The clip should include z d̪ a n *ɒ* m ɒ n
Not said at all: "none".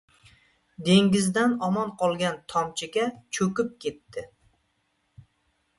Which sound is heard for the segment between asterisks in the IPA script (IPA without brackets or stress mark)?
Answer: ɒ